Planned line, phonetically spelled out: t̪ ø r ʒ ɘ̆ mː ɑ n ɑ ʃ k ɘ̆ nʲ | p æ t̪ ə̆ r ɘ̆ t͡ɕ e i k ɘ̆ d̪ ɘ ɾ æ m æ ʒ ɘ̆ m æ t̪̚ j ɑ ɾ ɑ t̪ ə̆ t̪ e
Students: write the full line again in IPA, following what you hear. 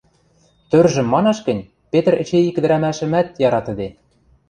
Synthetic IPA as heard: t̪ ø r ʒ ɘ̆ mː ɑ n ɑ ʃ k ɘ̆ nʲ | p e t̪ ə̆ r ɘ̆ t͡ɕ e i k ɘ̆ d̪ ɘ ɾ æ m æ ʃ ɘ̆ m æ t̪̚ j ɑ ɾ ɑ t̪ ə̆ d̪ e